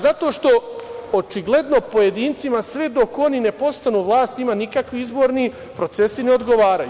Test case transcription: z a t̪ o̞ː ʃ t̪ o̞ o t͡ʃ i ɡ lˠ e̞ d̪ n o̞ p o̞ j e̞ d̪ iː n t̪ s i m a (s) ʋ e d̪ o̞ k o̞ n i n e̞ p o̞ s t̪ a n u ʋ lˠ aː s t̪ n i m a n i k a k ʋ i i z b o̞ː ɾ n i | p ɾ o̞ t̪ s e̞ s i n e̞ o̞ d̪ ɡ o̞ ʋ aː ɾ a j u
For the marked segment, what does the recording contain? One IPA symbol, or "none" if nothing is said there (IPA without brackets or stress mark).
s